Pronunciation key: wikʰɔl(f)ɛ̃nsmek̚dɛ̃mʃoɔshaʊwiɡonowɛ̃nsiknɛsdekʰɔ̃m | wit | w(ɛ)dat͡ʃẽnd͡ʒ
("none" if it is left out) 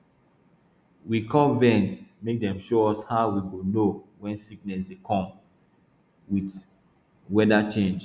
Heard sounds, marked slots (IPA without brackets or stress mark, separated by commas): v, ɛ